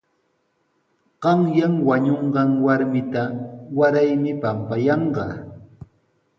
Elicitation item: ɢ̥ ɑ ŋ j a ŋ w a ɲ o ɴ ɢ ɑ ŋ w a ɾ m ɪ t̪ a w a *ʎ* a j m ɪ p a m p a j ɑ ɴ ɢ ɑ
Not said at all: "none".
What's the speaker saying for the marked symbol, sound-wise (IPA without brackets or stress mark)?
ɾ